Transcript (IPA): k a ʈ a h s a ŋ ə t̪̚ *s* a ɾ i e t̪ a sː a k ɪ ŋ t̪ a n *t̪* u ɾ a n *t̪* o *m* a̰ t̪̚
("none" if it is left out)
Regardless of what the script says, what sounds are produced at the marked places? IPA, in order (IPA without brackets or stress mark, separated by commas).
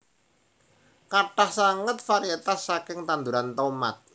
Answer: f, d̪, t̪, m